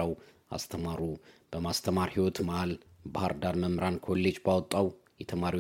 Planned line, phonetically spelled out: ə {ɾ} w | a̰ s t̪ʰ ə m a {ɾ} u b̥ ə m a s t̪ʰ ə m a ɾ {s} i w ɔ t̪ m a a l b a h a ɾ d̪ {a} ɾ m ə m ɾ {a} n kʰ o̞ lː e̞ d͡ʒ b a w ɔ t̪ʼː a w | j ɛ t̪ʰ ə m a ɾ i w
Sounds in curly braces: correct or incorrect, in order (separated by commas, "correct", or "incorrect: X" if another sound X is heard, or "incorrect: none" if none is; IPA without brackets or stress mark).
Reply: incorrect: none, correct, incorrect: h, correct, correct